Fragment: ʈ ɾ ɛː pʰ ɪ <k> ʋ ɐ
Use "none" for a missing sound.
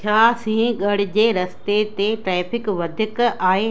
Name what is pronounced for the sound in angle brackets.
k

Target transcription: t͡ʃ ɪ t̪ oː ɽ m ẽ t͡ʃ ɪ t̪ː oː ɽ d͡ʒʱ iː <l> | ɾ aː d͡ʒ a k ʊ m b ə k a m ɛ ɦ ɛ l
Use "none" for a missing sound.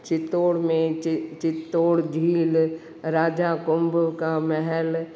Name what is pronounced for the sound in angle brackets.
l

